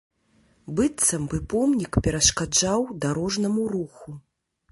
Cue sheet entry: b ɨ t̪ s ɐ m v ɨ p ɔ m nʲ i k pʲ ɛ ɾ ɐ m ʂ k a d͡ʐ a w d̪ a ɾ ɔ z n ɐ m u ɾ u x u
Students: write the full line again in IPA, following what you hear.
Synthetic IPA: b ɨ t̪ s ɐ m b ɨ p ɔ m nʲ i k pʲ ɛ ɾ ɐ ʂ k a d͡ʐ a w d̪ a ɾ ɔ ʐ n ɐ m u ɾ u x u